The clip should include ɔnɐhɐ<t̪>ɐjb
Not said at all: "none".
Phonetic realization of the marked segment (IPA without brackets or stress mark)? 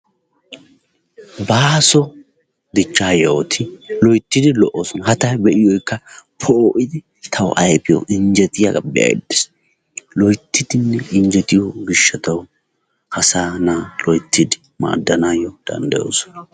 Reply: t̪